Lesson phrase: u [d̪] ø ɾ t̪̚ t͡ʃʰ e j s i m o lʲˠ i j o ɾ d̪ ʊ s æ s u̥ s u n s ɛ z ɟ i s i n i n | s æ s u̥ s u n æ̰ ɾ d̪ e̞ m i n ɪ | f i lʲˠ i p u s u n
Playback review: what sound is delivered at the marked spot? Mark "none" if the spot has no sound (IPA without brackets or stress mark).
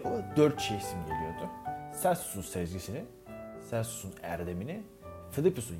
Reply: d̪